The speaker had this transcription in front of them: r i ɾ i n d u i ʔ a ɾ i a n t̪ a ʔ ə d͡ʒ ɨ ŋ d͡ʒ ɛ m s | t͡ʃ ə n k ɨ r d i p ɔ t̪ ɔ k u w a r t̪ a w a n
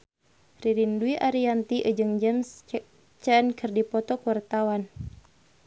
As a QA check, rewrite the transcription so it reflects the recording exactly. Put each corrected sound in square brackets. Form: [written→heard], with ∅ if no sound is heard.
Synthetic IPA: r i ɾ i n d u i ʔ a ɾ i a n t̪ [a→i] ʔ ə d͡ʒ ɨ ŋ d͡ʒ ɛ m s | t͡ʃ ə n k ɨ r d i p ɔ t̪ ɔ k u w a r t̪ a w a n